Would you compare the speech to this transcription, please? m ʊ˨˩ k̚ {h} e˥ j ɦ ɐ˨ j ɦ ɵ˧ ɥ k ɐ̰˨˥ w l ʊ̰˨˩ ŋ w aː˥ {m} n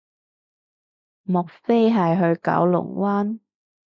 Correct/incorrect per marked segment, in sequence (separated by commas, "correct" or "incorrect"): incorrect, incorrect